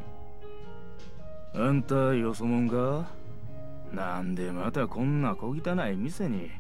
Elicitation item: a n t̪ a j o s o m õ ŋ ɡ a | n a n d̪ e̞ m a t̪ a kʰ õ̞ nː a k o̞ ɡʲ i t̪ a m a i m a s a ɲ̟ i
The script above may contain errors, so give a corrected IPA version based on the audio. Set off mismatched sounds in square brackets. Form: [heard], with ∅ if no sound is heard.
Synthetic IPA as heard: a n t̪ a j o s o m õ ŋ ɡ a | n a n d̪ e̞ m a t̪ a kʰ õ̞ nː a k o̞ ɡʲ i t̪ a [n] a i m [i] s [e] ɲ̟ i